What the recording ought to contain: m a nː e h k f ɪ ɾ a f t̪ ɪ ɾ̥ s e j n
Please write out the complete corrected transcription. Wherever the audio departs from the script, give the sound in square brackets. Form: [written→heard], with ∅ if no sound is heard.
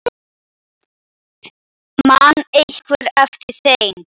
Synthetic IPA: m a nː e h k [f→v] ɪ ɾ [a→ɛ] f t̪ ɪ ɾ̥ [s→θ] e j n